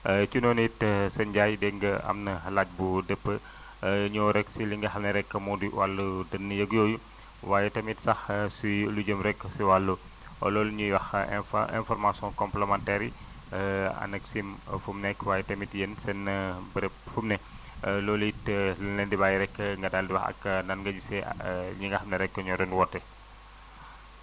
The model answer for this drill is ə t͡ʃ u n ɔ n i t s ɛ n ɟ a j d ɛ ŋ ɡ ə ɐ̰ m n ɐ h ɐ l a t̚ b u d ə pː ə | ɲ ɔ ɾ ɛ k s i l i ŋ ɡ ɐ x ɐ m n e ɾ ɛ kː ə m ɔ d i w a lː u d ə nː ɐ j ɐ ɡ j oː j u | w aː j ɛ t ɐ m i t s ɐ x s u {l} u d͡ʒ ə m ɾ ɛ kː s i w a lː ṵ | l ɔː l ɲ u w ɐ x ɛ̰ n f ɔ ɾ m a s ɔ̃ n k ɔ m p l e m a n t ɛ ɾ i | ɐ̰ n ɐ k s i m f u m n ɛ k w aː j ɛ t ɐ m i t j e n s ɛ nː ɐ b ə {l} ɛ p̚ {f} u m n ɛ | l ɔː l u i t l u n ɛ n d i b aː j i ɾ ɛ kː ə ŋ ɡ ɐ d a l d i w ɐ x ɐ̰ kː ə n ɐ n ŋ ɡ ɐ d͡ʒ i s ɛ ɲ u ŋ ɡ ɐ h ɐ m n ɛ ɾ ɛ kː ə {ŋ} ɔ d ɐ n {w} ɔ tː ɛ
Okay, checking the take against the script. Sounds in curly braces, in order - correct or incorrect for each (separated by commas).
correct, incorrect, correct, incorrect, correct